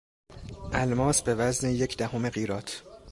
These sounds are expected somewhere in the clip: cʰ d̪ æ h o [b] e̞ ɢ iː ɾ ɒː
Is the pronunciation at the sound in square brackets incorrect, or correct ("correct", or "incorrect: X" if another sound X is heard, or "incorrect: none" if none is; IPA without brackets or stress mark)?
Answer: incorrect: m